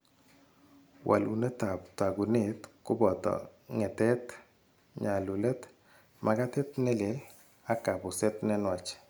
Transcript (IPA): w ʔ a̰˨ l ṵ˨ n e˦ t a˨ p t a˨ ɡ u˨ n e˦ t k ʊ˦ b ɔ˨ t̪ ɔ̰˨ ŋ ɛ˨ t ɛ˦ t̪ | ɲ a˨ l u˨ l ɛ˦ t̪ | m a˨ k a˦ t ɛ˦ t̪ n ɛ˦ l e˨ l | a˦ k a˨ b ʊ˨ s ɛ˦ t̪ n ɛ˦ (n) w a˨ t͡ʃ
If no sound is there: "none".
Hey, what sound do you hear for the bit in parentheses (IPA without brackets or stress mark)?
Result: n